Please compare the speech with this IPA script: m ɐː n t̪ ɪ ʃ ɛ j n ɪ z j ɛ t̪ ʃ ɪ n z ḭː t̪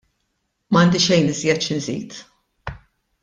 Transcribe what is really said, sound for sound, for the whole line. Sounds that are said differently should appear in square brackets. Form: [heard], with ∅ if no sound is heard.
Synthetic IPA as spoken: m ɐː n [d̪] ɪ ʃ ɛ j n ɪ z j ɛ t̪ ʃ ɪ n z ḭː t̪